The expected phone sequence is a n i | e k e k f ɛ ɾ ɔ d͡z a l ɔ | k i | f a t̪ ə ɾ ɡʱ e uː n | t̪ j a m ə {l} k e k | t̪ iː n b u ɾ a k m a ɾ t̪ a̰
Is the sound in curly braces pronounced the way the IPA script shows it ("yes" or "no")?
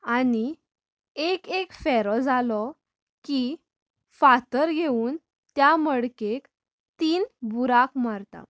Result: no